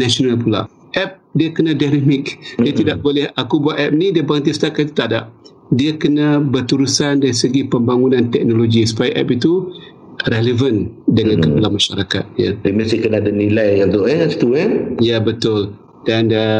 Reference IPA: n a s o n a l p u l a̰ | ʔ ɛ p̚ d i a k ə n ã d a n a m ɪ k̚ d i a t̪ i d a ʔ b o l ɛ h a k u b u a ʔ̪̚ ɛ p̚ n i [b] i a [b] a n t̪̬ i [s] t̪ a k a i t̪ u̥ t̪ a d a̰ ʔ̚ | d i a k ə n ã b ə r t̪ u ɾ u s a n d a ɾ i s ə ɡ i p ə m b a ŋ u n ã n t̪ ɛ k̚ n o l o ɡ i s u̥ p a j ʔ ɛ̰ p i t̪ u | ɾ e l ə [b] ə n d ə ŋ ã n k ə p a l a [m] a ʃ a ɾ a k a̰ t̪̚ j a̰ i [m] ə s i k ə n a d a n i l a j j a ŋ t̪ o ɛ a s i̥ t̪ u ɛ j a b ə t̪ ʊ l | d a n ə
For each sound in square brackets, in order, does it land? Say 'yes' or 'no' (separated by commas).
no, yes, yes, no, yes, yes